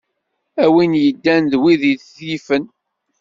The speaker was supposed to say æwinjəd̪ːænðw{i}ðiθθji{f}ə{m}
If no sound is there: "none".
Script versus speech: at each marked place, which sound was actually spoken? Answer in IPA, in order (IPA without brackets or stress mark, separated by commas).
i, f, n